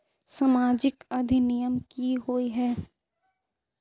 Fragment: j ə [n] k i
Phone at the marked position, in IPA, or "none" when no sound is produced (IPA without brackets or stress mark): m